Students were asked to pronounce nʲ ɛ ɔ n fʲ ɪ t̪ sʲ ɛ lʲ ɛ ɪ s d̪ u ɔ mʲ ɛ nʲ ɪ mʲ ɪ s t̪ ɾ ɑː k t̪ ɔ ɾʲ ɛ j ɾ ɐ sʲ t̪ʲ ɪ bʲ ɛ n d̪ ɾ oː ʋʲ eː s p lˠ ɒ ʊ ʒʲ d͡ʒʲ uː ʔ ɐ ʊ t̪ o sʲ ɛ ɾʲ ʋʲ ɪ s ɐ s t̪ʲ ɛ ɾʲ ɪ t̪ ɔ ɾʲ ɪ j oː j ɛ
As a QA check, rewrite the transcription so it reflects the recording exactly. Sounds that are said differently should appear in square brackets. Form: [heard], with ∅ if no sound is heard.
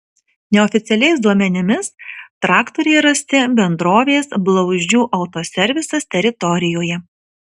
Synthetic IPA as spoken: nʲ ɛ ɔ [∅] fʲ ɪ t̪ sʲ ɛ lʲ ɛ ɪ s d̪ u ɔ mʲ ɛ nʲ ɪ mʲ ɪ s t̪ ɾ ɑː k t̪ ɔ ɾʲ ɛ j ɾ ɐ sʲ t̪ʲ ɪ bʲ ɛ n d̪ ɾ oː ʋʲ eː s [b] lˠ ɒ ʊ ʒʲ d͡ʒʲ uː ʔ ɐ ʊ t̪ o sʲ ɛ ɾʲ ʋʲ ɪ s ɐ s t̪ʲ ɛ ɾʲ ɪ t̪ ɔ ɾʲ ɪ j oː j ɛ